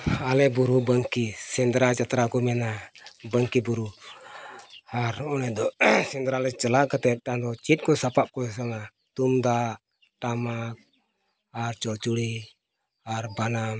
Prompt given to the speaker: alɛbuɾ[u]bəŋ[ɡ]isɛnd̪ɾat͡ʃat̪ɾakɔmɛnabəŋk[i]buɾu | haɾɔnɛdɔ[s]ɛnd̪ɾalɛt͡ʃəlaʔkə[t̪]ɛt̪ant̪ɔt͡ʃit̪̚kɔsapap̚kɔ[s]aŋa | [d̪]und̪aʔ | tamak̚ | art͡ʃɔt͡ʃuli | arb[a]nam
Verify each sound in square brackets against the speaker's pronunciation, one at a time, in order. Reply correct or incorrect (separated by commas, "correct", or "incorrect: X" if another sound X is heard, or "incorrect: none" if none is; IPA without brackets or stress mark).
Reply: correct, incorrect: k, correct, correct, correct, correct, incorrect: t̪, correct